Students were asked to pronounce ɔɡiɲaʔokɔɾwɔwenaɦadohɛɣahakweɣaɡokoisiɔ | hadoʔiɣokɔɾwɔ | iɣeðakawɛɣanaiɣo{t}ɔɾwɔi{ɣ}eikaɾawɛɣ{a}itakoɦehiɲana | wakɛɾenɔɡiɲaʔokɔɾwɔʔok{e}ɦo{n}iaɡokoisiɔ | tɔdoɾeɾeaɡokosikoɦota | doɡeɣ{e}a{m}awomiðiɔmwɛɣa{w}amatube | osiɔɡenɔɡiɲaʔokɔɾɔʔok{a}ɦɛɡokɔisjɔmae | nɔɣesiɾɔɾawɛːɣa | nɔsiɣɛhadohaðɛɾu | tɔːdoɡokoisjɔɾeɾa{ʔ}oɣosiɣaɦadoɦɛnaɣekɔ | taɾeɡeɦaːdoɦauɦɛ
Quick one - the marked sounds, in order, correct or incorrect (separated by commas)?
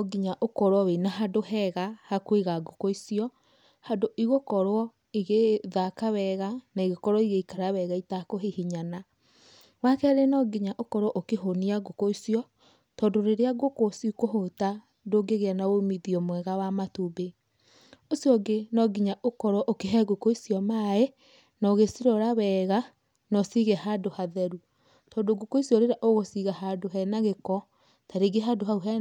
incorrect, correct, correct, correct, correct, correct, incorrect, correct, incorrect, correct